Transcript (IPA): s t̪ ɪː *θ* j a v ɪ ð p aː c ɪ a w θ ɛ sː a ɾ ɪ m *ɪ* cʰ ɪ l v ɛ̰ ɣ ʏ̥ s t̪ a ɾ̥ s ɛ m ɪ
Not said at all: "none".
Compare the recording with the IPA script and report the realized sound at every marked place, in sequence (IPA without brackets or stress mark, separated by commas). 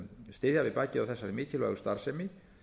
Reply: ð, ɪː